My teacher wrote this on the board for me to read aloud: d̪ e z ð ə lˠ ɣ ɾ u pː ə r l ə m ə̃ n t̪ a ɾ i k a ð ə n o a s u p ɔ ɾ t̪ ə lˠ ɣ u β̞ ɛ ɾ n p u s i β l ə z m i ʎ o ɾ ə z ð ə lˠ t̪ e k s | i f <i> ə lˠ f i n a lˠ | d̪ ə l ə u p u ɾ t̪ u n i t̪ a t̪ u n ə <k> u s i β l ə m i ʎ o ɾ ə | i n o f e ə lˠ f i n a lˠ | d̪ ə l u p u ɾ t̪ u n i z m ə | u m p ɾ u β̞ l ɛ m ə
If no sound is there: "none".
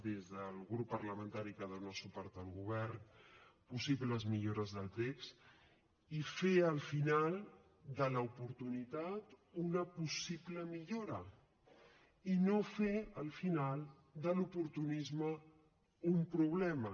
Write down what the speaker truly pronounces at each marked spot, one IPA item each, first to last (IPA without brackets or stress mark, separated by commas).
e, p